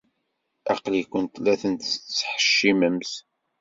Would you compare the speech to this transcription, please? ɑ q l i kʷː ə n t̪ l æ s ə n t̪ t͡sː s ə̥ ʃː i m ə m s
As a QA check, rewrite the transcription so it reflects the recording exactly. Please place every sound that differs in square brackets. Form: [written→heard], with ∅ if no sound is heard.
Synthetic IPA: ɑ q l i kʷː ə n t̪ l æ [s→θ] ə n t̪ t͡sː [s→ħ] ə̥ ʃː i m ə m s